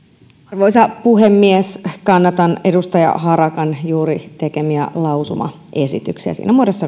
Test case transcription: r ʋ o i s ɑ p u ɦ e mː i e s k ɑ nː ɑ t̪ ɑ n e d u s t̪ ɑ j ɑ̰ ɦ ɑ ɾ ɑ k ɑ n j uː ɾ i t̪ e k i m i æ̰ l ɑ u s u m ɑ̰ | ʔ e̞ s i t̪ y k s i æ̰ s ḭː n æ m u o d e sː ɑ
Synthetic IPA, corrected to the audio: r ʋ o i s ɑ p u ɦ e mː i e s k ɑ nː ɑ t̪ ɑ n e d u s t̪ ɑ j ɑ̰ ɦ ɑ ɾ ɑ k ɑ n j uː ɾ i t̪ e k e m i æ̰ l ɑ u s u m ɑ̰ | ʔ e̞ s i t̪ y k s i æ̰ s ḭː n æ m u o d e sː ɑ